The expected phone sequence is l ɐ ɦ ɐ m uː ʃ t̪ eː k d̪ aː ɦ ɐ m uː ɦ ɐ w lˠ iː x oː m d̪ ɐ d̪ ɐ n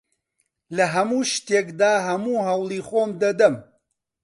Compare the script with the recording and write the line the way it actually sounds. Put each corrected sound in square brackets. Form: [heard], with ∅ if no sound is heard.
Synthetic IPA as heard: l ɐ ɦ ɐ m uː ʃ t̪ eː k d̪ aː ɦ ɐ m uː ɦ ɐ w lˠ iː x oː m d̪ ɐ d̪ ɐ [m]